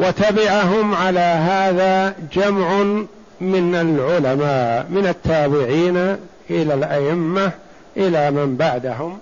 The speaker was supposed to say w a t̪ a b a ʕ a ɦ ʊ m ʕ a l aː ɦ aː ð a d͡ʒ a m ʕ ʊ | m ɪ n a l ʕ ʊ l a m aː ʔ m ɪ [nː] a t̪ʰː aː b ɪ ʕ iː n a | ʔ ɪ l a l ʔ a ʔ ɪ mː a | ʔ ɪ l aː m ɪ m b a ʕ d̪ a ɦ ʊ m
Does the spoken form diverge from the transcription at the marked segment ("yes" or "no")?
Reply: yes